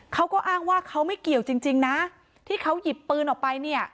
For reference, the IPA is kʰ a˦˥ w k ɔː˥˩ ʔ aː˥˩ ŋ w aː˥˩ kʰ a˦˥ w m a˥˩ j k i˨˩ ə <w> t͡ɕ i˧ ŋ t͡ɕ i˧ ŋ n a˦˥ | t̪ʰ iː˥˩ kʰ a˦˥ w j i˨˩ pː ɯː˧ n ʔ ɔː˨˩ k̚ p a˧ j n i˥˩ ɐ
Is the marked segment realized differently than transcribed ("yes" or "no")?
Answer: no